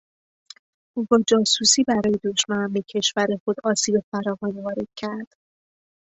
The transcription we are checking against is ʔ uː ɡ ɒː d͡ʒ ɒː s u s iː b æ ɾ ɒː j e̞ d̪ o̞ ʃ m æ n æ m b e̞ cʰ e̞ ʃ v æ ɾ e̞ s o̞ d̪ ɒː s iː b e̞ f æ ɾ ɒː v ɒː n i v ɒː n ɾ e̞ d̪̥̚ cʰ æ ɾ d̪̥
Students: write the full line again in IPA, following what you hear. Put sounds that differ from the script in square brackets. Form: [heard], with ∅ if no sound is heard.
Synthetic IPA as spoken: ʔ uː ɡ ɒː d͡ʒ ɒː s u s iː b æ ɾ ɒː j e̞ d̪ o̞ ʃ m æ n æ m b e̞ cʰ e̞ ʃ v æ ɾ e̞ [x] o̞ d̪ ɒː s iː b e̞ f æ ɾ ɒː v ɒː n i v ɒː [∅] ɾ e̞ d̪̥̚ cʰ æ ɾ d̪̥